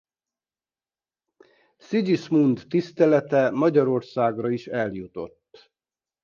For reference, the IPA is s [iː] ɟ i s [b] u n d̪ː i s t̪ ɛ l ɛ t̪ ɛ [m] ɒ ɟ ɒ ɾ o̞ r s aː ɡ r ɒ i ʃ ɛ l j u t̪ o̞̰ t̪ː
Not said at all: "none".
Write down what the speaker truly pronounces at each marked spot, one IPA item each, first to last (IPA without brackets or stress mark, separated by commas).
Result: i, m, m